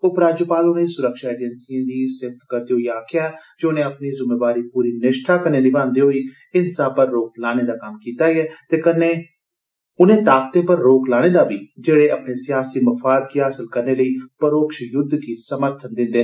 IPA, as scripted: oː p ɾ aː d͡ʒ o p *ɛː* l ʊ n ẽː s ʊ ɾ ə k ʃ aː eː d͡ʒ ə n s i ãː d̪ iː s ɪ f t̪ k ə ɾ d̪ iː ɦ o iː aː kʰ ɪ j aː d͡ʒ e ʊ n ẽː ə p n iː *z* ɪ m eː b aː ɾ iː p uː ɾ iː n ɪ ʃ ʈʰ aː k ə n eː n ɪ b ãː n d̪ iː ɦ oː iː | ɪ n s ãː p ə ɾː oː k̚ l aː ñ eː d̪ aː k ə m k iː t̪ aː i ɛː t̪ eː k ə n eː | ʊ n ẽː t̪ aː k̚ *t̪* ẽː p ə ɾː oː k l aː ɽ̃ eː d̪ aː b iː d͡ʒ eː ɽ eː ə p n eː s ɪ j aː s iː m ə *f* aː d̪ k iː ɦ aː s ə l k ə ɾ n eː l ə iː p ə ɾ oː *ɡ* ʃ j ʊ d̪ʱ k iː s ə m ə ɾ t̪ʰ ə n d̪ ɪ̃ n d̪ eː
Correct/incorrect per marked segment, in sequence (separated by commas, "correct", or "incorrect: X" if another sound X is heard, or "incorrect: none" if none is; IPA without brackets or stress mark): incorrect: aː, correct, correct, correct, incorrect: k